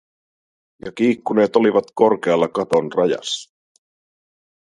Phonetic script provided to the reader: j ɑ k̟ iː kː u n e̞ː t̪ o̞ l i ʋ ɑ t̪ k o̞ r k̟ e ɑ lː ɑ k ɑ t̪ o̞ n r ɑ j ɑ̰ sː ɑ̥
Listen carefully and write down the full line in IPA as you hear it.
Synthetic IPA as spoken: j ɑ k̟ iː kː u n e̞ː t̪ o̞ l i ʋ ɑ t̪ k o̞ r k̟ e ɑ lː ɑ k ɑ t̪ o̞ n r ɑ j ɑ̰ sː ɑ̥

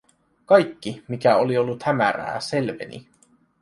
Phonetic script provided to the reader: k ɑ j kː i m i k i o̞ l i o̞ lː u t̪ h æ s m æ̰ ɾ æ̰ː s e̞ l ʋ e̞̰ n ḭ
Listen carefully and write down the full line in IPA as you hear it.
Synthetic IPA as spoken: k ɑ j kː i m i k æ o̞ l i o̞ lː u t̪ h æ m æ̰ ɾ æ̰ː s e̞ l ʋ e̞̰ n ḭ

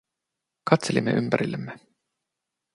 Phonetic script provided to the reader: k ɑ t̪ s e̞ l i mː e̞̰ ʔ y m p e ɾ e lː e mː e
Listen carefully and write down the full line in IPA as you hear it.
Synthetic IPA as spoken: k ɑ t̪ s e̞ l i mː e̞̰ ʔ y m p æ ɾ i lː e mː e

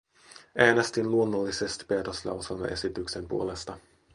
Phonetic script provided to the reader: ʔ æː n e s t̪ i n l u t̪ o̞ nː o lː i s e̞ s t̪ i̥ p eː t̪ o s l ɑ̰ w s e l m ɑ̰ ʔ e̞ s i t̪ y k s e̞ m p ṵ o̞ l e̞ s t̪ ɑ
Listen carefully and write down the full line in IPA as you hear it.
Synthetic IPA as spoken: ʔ æː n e s t̪ i n l u o̞ nː o lː i s e̞ s t̪ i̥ p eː t̪ o s l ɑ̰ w s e l m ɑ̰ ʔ e̞ s i t̪ y k s e̞ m p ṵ o̞ l e̞ s t̪ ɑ

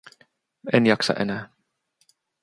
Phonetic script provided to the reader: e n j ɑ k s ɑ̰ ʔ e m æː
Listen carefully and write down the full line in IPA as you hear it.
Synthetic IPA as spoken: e n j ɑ k s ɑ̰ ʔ e n æː

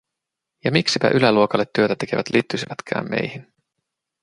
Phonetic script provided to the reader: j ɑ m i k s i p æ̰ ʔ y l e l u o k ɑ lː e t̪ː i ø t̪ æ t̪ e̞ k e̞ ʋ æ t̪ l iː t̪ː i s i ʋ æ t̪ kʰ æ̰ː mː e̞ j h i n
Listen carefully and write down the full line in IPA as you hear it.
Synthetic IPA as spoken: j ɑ m i k s i p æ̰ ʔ y l æ l u o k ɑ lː e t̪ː y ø t̪ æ t̪ e̞ k e̞ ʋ æ t̪ l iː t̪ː y s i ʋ æ t̪ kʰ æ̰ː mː e̞ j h i n

